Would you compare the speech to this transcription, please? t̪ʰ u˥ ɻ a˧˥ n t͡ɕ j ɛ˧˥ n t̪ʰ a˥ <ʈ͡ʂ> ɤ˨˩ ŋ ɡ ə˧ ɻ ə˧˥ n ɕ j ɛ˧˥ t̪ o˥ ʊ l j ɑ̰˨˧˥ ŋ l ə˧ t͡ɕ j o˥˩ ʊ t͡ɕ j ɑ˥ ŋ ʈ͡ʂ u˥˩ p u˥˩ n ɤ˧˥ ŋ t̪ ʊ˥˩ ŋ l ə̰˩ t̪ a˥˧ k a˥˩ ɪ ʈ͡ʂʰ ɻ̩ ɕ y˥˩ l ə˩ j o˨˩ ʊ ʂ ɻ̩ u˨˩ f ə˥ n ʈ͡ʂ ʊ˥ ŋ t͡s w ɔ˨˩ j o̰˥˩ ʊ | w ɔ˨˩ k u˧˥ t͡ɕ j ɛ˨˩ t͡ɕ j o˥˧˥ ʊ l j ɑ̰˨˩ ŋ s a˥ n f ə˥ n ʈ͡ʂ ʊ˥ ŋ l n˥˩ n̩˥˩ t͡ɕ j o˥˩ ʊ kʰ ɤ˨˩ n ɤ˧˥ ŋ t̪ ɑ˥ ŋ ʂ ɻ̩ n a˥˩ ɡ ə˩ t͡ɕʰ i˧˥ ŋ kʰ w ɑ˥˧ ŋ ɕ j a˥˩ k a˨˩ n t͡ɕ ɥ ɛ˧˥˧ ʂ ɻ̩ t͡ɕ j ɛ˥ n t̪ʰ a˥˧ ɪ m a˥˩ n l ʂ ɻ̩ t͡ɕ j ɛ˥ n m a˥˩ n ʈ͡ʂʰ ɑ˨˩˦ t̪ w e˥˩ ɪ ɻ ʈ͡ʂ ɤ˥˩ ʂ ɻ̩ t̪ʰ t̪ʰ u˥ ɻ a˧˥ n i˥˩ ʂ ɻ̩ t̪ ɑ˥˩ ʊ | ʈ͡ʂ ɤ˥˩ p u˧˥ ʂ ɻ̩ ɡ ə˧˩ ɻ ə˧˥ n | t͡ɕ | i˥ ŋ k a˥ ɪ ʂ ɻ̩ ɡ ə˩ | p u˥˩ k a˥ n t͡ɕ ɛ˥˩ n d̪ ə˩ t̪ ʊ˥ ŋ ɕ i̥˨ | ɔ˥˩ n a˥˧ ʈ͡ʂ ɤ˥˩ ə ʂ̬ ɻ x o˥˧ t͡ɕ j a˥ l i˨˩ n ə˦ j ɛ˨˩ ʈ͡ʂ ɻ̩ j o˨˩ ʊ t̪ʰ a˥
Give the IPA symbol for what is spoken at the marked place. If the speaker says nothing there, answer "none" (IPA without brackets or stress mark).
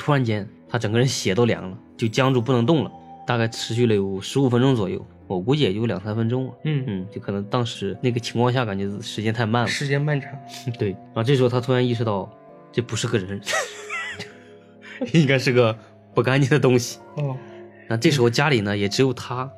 ʈ͡ʂ